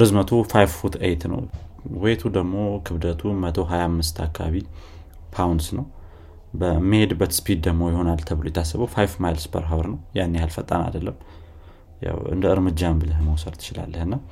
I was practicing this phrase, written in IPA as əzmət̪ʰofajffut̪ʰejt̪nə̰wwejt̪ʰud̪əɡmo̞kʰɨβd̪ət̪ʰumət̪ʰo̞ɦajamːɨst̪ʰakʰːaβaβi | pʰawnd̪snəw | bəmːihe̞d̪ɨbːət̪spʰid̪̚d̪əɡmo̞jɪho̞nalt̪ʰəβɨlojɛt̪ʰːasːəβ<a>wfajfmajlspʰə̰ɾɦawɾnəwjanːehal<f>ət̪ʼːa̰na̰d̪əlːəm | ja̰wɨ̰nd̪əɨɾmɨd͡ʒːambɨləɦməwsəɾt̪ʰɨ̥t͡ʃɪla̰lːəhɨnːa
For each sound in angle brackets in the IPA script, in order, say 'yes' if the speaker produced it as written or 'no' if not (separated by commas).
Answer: no, yes